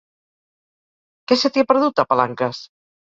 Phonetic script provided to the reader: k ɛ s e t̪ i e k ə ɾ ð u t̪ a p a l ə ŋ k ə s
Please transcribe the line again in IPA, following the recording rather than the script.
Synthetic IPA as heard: k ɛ s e t̪ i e p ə ɾ ð u t̪ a p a l a ŋ k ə s